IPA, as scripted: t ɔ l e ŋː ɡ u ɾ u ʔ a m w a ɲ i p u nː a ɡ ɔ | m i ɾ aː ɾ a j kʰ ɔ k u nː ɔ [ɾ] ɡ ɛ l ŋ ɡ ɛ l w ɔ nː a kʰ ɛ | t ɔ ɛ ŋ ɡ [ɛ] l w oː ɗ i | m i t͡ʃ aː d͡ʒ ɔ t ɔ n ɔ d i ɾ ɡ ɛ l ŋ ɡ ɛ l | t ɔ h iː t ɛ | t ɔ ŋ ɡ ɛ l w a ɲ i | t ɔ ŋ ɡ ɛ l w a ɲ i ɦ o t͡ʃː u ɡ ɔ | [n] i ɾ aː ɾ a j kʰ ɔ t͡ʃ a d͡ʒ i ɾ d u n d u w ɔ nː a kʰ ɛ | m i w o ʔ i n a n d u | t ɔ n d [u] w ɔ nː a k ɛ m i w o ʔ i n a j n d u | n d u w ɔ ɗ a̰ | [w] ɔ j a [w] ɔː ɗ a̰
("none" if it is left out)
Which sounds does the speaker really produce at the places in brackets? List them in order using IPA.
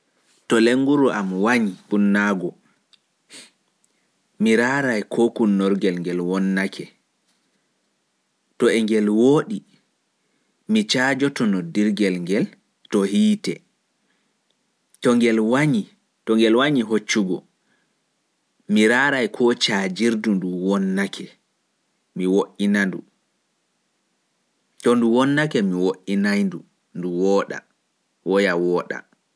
ɾ, ɛ, m, u, w, w

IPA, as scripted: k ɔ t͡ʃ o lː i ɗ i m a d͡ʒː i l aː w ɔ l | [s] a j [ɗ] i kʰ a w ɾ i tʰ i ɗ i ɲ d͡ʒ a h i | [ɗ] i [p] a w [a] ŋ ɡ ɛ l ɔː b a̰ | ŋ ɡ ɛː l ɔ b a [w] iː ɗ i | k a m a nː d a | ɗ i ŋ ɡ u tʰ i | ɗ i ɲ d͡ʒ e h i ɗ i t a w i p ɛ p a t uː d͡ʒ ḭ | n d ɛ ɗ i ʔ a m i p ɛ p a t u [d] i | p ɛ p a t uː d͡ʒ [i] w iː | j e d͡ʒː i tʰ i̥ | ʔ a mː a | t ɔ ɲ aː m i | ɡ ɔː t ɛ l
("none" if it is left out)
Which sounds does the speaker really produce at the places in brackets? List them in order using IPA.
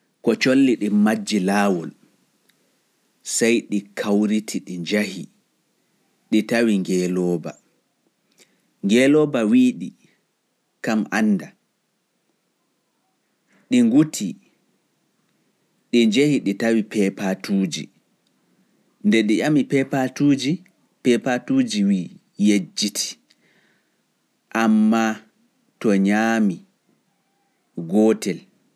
s, ɗ, ɗ, t, i, w, d͡ʒ, i

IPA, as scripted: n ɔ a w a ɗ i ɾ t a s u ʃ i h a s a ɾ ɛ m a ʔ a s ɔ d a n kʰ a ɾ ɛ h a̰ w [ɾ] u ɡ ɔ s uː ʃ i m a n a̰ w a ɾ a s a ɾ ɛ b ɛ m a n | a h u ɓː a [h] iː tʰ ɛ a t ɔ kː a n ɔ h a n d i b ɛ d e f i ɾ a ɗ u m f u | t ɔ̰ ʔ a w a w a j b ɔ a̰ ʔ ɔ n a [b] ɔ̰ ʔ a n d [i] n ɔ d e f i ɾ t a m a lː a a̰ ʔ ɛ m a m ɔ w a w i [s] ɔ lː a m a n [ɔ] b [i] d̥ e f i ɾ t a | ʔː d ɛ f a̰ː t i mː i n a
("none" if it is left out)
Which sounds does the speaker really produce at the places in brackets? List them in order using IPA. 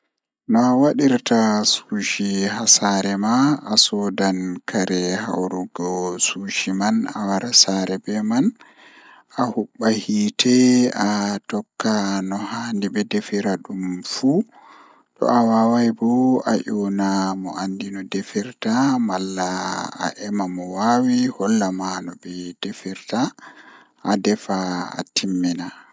ɾ, h, m, i, h, ɔ, ɛ

